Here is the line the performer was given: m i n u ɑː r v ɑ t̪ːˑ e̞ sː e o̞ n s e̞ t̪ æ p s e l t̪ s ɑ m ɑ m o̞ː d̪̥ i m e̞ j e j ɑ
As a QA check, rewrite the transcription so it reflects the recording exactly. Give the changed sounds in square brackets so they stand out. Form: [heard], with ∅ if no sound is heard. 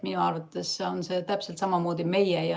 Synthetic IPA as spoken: m i n u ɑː r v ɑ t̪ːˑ e̞ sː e o̞ n s e̞ t̪ æ p s e l t̪ s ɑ m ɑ m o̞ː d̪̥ i m e̞ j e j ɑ